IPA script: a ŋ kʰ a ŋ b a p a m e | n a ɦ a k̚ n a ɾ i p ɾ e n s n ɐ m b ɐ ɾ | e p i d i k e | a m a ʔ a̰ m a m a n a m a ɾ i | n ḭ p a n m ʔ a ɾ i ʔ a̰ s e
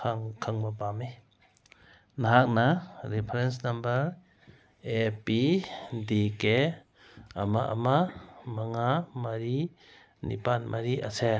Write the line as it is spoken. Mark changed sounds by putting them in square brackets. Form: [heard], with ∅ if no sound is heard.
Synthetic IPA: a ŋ kʰ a ŋ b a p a m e | n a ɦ a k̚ n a ɾ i [pʰ] ɾ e n s n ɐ m b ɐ ɾ | e p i d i k e | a m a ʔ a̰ m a m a [ŋ] a m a ɾ i | n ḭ p a n m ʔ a ɾ i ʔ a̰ s e